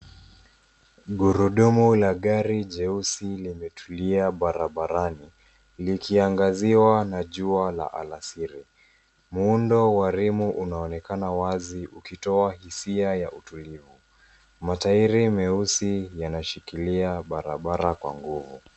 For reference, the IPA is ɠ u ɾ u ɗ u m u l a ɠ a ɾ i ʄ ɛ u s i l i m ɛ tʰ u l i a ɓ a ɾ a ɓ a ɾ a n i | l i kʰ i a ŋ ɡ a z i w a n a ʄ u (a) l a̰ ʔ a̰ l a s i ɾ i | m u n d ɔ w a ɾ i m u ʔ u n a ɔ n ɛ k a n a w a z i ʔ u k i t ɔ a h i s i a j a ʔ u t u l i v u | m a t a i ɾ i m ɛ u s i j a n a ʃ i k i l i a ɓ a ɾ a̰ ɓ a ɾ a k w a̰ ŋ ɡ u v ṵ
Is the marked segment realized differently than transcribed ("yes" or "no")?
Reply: no